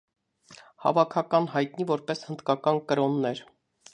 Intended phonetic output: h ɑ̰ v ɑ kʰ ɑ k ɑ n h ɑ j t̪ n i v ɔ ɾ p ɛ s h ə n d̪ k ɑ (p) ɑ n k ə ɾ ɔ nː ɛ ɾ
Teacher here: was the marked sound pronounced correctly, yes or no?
no